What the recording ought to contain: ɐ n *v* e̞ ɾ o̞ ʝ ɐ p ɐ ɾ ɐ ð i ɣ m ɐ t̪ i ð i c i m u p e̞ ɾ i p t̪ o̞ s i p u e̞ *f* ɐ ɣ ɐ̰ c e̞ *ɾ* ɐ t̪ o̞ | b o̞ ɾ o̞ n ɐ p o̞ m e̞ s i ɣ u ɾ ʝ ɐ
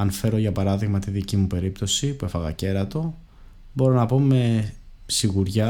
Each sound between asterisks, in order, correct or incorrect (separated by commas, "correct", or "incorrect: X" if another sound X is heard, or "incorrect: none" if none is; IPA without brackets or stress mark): incorrect: f, correct, correct